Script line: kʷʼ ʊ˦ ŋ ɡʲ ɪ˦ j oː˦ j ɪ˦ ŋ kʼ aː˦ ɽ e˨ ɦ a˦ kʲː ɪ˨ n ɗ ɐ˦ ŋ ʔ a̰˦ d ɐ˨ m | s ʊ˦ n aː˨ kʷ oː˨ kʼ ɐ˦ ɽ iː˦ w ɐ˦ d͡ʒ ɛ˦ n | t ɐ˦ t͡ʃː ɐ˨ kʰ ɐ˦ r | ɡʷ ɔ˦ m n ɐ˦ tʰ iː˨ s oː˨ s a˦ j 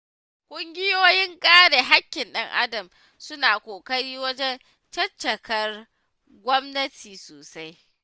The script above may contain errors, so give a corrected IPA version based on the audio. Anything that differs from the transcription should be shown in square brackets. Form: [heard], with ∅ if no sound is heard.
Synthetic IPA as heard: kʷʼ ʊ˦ ŋ ɡʲ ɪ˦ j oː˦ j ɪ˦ ŋ kʼ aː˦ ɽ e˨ ɦ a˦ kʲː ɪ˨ n ɗ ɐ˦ ŋ ʔ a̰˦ d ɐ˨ m | s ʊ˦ n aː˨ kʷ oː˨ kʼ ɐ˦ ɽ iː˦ w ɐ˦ d͡ʒ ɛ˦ n | [t͡ʃ] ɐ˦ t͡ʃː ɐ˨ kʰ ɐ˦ r | ɡʷ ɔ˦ m n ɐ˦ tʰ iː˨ s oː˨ s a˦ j

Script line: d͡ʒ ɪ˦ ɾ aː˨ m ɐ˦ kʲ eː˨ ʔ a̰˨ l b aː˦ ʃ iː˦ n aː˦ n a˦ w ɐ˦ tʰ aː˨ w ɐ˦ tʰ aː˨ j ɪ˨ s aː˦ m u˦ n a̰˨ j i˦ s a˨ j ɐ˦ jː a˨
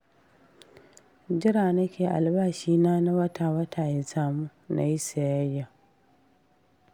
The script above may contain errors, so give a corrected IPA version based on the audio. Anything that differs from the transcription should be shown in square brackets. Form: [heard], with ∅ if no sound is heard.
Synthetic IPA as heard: d͡ʒ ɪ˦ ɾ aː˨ [n] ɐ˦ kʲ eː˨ ʔ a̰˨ l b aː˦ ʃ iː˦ n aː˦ n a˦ w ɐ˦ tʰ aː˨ w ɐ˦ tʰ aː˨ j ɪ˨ s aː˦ m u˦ n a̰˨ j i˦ s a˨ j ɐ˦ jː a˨

